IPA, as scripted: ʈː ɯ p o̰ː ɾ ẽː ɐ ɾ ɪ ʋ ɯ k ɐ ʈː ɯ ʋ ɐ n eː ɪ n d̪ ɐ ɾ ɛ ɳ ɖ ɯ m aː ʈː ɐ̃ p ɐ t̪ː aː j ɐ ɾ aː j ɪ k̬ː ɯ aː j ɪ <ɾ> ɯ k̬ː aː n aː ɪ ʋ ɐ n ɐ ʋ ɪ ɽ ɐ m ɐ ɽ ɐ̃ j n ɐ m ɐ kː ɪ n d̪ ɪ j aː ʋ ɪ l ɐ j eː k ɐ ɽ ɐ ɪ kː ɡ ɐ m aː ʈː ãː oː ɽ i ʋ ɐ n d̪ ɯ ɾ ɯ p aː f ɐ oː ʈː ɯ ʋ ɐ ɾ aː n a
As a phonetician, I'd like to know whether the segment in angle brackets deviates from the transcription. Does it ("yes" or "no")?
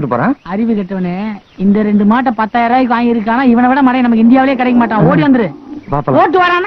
no